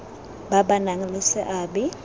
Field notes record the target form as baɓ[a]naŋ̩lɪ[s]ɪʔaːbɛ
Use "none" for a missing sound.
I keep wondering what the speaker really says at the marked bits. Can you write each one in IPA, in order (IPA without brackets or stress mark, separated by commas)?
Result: a, s